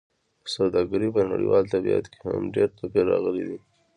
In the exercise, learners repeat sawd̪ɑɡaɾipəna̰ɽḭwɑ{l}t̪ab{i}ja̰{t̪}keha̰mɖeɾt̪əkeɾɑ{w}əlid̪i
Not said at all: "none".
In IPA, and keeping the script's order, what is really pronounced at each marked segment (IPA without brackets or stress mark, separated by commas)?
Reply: l, i, t̪, ɣ